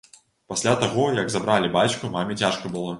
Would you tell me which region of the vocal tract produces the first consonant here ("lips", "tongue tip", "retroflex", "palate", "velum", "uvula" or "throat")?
lips